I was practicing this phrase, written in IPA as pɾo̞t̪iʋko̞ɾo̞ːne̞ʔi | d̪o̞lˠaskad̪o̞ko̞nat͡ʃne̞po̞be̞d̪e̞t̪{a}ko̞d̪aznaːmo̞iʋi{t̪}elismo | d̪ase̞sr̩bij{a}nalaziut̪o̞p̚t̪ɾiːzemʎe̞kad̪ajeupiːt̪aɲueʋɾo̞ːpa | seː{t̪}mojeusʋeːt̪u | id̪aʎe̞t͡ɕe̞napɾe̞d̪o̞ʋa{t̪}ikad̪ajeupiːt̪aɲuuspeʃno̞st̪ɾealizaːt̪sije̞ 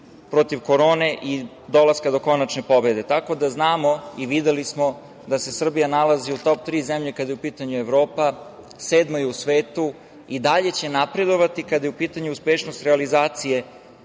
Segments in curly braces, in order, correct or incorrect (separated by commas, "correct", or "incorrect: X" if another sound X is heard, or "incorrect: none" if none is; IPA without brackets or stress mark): correct, incorrect: d̪, correct, incorrect: d̪, correct